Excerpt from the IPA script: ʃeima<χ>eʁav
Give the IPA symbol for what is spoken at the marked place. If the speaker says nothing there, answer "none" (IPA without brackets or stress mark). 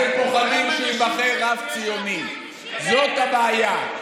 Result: χ